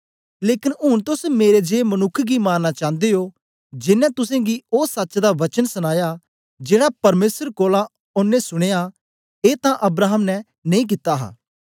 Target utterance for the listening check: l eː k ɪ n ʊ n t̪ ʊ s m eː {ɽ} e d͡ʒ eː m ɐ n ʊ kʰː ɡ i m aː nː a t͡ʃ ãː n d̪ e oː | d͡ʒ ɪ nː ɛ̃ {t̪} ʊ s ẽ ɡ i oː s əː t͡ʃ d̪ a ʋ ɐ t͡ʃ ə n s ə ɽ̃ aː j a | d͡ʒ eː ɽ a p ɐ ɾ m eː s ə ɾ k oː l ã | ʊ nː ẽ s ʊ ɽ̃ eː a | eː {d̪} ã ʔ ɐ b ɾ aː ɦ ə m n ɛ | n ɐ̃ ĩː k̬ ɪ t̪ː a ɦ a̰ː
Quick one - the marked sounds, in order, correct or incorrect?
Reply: incorrect, correct, incorrect

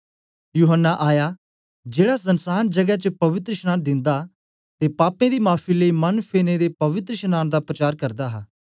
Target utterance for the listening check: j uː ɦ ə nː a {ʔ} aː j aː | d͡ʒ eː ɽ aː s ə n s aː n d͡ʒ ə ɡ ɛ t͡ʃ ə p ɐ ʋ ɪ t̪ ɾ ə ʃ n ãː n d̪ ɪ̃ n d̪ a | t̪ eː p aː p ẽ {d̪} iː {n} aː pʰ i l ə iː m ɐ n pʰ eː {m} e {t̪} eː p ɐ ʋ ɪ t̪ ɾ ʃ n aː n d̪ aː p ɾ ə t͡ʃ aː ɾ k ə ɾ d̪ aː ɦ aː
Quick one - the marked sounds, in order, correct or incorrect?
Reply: correct, correct, incorrect, incorrect, incorrect

